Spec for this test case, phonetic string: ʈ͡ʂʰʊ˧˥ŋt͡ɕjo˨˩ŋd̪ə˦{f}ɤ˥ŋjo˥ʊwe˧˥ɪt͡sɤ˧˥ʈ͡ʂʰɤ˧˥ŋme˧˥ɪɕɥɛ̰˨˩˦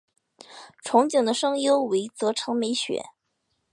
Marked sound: incorrect: ʂ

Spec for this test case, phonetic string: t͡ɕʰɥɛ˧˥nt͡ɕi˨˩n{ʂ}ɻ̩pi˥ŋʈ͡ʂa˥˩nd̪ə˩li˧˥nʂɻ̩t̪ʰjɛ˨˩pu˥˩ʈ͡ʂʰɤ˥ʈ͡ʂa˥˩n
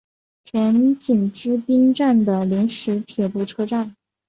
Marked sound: incorrect: ʈ͡ʂ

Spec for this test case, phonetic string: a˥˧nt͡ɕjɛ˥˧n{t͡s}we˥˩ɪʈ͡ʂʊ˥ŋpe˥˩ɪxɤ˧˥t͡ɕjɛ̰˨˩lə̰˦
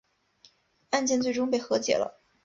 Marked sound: correct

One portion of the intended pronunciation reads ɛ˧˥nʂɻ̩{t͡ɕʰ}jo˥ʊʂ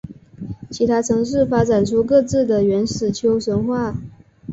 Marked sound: correct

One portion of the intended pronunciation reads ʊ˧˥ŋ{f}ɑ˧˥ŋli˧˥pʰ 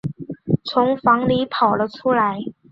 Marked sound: correct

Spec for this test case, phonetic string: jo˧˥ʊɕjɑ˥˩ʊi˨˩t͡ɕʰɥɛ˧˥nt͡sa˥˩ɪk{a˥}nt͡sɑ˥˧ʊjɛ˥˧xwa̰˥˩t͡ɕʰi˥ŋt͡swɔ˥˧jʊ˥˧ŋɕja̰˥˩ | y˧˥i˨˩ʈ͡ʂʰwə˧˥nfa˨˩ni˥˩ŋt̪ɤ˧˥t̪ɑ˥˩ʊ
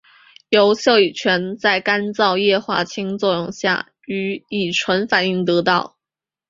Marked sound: correct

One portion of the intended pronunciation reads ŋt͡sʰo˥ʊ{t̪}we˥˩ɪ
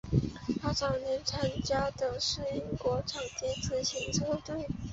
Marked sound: correct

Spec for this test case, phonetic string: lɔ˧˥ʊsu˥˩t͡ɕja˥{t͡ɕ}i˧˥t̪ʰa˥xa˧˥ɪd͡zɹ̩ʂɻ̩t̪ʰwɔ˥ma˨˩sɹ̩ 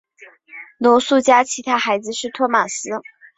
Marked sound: incorrect: t͡ɕʰ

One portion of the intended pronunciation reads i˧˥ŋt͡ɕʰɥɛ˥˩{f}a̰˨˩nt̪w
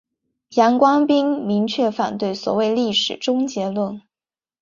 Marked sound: correct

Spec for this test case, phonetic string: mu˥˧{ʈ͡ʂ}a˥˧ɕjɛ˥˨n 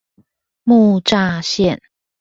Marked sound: correct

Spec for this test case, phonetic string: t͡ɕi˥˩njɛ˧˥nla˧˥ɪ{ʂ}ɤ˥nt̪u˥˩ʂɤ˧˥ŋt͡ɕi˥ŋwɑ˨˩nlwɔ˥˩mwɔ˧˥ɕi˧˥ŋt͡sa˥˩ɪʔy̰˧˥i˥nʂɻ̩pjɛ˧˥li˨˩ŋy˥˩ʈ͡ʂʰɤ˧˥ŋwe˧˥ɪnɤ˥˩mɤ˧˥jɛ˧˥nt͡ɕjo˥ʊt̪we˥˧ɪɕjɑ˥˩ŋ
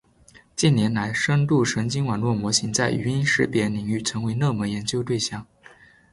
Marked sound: correct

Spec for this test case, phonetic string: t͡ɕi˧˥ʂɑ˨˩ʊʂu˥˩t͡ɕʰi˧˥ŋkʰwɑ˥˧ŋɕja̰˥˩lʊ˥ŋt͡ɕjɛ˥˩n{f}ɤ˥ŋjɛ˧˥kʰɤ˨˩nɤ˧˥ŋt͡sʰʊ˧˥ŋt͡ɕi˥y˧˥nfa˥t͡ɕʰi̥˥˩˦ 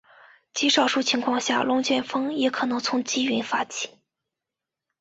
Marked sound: correct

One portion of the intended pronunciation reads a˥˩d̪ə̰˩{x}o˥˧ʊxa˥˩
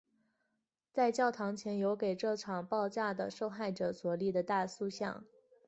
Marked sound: incorrect: ʂ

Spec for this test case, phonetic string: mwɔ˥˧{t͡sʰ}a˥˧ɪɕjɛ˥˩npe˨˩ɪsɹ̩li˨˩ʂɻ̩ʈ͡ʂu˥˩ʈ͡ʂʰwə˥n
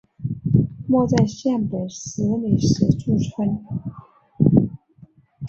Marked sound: incorrect: t͡s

